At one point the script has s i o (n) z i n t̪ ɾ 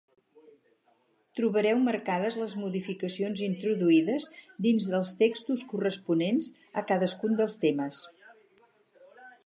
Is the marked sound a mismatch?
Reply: no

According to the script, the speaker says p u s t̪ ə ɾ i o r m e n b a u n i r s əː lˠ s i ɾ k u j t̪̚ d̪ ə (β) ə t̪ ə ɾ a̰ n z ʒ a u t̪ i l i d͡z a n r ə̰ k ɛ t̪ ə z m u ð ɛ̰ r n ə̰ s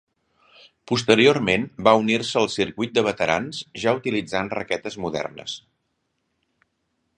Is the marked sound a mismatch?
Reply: no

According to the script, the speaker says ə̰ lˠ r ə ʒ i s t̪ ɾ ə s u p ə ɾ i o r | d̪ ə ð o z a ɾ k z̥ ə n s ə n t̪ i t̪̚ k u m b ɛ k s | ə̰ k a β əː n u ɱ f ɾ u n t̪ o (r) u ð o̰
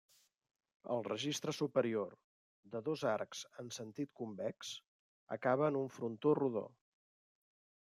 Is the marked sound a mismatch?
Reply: no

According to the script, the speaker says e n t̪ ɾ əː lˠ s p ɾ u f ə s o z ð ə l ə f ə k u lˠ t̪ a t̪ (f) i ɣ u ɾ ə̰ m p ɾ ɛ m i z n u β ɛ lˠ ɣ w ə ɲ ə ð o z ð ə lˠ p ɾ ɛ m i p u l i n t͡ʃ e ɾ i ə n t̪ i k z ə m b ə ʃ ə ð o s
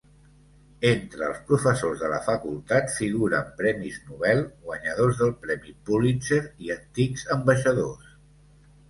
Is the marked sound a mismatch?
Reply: no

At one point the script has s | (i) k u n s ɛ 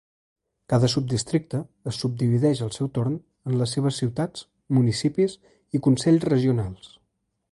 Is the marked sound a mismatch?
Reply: no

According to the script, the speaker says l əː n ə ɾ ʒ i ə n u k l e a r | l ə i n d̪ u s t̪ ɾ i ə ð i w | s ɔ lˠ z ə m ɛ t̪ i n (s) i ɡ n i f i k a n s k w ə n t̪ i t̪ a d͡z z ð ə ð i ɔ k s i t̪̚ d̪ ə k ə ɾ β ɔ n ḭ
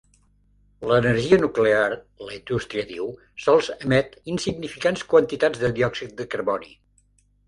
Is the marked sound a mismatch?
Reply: no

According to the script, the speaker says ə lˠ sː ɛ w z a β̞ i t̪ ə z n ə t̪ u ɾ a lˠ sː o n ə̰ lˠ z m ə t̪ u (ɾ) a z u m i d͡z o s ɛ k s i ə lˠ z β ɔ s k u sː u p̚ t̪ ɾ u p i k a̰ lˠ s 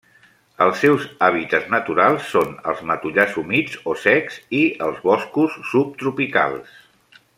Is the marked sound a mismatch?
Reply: yes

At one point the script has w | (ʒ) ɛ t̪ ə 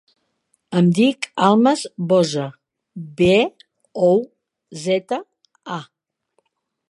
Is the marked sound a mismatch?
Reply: yes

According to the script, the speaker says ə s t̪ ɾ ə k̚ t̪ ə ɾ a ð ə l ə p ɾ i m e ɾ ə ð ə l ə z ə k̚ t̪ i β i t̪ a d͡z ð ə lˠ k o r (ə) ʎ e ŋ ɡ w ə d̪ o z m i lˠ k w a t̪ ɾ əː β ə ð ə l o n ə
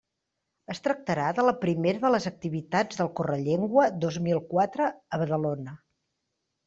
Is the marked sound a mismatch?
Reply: no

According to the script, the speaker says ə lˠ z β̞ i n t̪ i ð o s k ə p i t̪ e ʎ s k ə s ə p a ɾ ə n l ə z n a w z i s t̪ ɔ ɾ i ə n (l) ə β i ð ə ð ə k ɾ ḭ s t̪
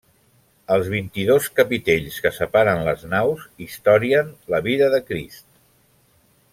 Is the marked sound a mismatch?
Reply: no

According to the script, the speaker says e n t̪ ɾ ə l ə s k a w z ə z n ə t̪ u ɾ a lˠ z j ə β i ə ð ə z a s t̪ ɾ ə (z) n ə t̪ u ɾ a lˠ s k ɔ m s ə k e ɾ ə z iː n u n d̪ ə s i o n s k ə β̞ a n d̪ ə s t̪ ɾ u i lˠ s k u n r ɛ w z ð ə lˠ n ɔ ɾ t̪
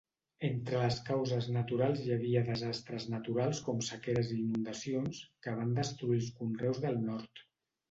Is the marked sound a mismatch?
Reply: no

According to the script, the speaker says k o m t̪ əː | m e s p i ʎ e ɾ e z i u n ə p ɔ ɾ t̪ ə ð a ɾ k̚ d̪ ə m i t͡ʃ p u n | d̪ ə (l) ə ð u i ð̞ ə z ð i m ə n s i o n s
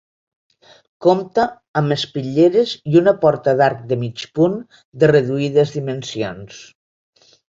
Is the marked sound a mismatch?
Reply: yes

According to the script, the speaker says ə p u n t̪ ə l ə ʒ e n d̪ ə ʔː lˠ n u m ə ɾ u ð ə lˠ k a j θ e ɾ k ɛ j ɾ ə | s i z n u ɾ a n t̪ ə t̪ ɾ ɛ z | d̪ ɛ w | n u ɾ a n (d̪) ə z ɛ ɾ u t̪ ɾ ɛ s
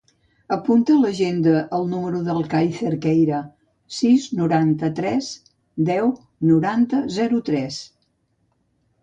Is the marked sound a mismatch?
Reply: yes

